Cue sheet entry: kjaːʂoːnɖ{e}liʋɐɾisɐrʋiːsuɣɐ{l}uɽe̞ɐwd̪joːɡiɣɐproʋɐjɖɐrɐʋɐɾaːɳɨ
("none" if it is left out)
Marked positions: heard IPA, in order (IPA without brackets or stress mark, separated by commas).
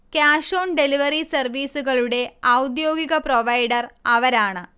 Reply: e, ɭ